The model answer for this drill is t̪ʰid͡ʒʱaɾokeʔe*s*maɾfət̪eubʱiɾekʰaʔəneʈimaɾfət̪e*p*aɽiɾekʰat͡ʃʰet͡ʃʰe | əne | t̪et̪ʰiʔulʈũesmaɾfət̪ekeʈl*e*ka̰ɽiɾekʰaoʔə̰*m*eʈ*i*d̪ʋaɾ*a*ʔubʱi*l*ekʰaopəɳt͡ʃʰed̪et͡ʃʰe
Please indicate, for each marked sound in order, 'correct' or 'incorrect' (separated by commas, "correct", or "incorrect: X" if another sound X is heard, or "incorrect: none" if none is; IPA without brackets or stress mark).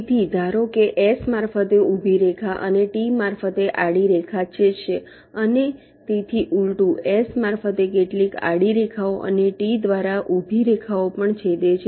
correct, incorrect: ʔ, incorrect: i, incorrect: n, correct, correct, incorrect: ɾ